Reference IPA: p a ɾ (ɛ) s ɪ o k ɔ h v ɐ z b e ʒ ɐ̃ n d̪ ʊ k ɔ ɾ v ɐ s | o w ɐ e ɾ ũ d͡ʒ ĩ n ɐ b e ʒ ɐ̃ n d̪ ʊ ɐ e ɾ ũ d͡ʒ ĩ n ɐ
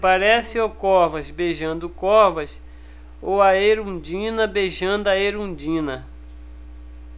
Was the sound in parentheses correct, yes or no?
yes